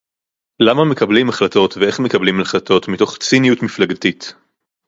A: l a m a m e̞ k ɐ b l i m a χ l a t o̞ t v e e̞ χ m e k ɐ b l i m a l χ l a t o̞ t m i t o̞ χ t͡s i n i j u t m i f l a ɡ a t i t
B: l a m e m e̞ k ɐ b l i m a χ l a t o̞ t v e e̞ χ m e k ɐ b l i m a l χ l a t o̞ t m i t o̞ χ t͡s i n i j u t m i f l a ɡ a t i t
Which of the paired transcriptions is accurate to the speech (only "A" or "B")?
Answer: A